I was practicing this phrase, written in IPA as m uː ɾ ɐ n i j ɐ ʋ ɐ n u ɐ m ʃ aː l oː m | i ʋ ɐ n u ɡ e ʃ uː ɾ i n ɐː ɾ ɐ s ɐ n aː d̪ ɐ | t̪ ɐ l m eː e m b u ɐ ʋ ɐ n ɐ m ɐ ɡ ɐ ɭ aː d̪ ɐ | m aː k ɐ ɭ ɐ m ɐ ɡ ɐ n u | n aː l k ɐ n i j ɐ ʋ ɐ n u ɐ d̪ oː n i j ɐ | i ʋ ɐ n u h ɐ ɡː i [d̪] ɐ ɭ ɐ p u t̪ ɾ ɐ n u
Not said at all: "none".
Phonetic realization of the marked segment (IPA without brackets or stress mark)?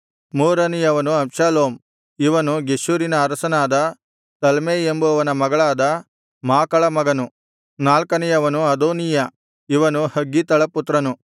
t̪